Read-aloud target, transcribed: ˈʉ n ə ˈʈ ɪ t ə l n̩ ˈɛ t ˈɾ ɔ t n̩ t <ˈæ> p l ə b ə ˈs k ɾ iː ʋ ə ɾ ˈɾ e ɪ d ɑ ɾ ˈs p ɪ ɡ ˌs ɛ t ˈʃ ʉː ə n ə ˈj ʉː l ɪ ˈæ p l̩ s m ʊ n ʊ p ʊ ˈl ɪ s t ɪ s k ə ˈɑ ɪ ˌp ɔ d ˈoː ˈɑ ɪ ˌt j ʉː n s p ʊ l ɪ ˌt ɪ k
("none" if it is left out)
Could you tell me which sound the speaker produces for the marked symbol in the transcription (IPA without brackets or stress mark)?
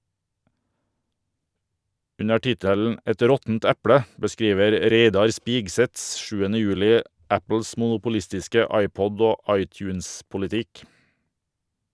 ɛ